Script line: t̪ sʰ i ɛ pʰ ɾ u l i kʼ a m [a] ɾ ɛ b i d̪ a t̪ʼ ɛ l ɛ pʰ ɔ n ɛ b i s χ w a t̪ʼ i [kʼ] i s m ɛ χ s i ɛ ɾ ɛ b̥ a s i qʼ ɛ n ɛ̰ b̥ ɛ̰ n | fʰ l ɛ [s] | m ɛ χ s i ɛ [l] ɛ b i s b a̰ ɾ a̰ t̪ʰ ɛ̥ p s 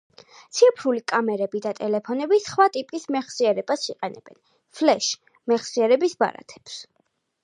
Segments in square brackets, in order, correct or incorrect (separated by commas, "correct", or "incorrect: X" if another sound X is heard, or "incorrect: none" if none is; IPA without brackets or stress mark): incorrect: ɛ, incorrect: pʼ, incorrect: ʃ, incorrect: ɾ